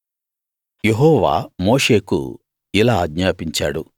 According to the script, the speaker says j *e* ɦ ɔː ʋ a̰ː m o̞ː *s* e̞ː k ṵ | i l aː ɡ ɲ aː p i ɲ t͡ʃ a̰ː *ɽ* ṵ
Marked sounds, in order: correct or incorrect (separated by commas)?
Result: correct, incorrect, correct